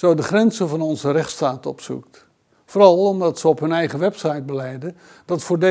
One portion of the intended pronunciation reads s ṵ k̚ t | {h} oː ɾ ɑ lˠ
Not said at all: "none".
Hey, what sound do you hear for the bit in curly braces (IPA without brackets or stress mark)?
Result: f